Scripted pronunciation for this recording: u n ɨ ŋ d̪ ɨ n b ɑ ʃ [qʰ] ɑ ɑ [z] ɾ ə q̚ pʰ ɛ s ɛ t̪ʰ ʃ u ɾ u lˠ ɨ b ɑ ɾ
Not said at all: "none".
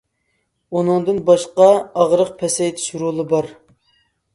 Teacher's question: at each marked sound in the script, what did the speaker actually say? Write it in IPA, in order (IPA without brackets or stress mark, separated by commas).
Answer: q, ʁ